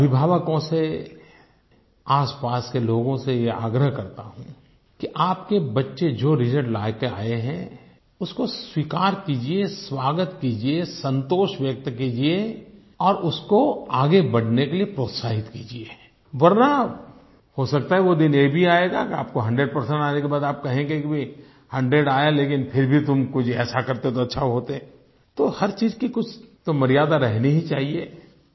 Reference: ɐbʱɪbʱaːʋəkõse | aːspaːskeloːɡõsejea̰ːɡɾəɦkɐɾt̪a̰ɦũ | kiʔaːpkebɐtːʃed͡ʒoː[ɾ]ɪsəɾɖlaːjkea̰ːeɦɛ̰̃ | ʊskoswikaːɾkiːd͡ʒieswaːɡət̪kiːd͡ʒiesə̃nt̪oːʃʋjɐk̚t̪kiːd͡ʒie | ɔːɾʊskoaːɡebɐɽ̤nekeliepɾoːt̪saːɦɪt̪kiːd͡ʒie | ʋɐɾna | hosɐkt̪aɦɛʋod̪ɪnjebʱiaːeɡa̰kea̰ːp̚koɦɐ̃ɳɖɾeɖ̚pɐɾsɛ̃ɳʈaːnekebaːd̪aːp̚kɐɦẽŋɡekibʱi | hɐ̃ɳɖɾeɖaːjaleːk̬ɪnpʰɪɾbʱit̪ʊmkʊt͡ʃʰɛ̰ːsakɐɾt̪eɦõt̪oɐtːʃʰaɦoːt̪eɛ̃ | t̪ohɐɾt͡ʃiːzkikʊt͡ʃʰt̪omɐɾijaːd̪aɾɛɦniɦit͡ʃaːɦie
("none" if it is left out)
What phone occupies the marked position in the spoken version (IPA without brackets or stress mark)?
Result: ɾ